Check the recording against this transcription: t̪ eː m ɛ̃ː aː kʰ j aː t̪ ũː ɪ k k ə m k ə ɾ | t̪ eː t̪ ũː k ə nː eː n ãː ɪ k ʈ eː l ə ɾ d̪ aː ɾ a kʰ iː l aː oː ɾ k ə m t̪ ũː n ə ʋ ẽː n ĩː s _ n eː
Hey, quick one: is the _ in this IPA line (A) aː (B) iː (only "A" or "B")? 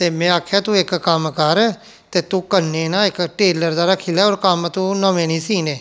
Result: B